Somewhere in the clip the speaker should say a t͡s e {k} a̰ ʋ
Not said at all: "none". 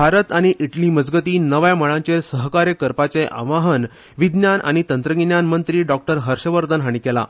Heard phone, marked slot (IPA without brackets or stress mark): ʔ